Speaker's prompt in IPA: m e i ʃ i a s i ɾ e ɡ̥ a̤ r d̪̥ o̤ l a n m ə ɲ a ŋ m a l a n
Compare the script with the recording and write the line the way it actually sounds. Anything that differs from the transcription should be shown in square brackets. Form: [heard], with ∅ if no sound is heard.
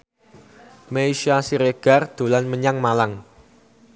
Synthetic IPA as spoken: m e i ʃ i a s i ɾ e ɡ̥ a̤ r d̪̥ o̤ l a n m ə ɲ a ŋ m a l a [ŋ]